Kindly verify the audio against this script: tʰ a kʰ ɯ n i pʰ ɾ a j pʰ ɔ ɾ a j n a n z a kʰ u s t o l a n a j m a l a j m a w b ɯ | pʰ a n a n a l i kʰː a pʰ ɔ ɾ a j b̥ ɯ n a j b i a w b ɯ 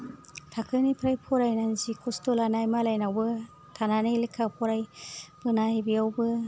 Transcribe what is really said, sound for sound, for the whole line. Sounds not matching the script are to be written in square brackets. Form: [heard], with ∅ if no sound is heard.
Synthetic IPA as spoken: tʰ a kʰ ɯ n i pʰ ɾ a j pʰ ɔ ɾ a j n a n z [i] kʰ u s t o l a n a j m a l a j [n] a w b ɯ | [tʰ] a n a n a l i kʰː a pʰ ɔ ɾ a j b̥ ɯ n a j b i a w b ɯ